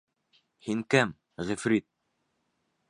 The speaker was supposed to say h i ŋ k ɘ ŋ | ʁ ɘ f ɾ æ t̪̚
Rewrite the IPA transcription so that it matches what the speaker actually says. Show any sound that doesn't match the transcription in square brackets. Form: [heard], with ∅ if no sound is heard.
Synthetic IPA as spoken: h i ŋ k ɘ [m] | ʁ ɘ f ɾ [i] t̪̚